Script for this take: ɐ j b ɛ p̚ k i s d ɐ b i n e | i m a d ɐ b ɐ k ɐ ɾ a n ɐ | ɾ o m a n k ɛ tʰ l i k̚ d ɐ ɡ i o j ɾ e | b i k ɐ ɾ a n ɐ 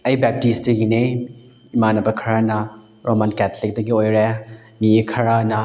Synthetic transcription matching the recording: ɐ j b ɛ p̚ t i s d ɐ ɡ i n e | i m a n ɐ b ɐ kʰ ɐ ɾ a n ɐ | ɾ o m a n k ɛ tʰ l i k̚ d ɐ ɡ i o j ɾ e | m i kʰ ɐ ɾ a n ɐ